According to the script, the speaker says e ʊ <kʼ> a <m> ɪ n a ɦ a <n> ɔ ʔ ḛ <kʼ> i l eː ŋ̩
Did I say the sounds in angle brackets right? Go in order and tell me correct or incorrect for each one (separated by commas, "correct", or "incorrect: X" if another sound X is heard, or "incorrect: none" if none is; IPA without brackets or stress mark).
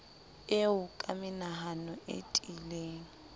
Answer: correct, correct, correct, incorrect: tʼ